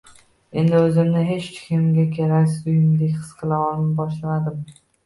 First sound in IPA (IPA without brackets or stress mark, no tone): e̞